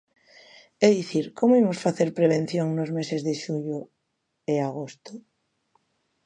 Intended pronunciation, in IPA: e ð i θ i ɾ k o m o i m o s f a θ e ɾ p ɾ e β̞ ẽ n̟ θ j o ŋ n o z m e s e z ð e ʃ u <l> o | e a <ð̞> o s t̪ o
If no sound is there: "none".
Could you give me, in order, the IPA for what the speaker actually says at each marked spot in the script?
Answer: ʎ, ɣ̞

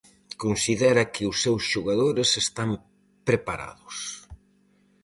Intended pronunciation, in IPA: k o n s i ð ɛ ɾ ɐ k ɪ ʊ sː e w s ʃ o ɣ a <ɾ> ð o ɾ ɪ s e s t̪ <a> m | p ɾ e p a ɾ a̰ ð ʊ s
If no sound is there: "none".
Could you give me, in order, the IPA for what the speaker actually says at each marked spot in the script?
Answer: none, a

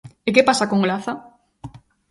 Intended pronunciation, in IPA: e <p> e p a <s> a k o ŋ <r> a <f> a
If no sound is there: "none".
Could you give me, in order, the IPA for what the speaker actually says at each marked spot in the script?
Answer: k, s, l, θ

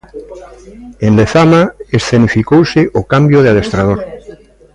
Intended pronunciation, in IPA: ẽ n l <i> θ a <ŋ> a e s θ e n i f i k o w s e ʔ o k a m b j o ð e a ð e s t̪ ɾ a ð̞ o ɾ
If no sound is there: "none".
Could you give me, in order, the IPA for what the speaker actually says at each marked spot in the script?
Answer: e, m

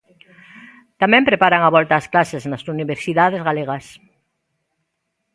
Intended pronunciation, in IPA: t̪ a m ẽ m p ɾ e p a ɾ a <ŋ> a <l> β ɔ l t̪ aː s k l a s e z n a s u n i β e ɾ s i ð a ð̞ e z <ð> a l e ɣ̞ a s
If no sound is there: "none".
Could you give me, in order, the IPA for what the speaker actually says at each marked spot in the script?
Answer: ŋ, none, ɣ

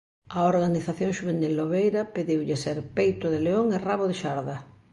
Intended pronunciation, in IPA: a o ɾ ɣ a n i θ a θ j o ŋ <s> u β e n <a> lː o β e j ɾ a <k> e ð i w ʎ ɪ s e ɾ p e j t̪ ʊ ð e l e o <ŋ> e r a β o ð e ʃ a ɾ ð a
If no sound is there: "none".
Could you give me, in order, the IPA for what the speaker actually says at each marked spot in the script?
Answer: ʃ, i, p, ŋ

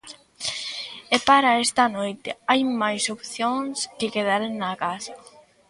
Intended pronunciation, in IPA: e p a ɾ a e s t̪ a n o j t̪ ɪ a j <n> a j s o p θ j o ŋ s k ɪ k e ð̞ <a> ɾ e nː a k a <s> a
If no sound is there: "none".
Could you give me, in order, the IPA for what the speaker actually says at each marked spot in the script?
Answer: m, a, s

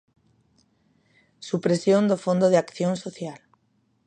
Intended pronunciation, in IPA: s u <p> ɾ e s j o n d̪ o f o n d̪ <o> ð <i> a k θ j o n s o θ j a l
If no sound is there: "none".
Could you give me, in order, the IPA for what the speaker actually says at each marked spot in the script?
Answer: p, o, e

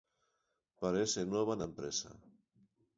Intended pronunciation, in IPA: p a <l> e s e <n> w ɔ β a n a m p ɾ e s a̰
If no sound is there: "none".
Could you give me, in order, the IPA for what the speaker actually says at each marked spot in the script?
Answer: ɾ, n

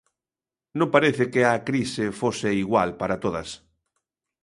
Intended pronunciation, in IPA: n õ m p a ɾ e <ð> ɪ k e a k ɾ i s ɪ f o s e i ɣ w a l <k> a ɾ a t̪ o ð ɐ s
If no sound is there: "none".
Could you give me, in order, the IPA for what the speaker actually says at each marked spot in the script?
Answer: θ, p

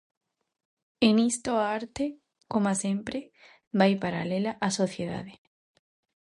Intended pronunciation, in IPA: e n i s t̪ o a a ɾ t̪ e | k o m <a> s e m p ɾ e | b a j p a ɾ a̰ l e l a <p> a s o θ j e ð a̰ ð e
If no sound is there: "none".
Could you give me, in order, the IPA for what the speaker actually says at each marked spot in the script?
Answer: a, ʔ

